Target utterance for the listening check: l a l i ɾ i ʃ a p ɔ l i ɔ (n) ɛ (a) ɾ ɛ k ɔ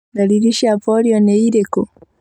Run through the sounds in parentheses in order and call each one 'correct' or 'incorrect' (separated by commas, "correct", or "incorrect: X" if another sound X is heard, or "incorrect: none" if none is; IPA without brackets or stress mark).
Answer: correct, incorrect: i